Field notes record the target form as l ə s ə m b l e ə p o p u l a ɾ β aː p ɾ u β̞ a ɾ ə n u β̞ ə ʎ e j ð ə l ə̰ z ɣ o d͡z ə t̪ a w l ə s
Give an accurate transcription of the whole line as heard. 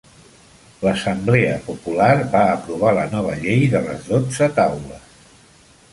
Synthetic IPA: l ə s ə m b l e ə p u p u l a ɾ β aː p ɾ u β̞ a l ə n ɔ β̞ ə ʎ e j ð ə l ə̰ z ð o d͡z ə t̪ a w l ə s